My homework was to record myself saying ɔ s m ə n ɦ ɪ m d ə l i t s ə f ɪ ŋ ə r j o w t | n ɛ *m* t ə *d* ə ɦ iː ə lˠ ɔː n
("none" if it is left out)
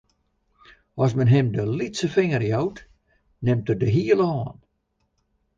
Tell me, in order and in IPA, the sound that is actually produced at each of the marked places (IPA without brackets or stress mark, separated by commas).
m, d